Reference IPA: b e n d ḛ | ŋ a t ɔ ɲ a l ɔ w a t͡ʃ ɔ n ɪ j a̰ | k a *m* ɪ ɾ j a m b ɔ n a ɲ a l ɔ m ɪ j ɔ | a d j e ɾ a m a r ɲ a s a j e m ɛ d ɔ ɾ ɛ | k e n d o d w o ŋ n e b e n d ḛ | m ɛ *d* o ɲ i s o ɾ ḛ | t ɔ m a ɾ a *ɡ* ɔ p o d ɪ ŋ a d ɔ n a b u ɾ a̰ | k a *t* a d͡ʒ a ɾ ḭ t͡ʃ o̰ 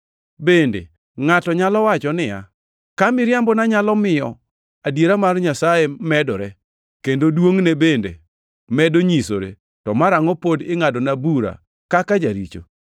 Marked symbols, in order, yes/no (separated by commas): yes, yes, no, no